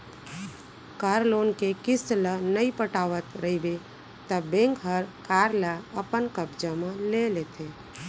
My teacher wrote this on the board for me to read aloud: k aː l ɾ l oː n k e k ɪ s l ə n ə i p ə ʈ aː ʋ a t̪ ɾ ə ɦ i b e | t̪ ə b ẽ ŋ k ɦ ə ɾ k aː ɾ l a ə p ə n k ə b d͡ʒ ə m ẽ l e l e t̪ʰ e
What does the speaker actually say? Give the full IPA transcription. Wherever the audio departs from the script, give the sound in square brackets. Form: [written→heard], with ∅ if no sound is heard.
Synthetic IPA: k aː [l→∅] ɾ l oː n k e k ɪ s l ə n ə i p ə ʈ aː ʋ [a→ə] t̪ ɾ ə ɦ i b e | t̪ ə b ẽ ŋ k ɦ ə ɾ k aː ɾ l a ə p ə n k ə b d͡ʒ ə m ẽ l e l e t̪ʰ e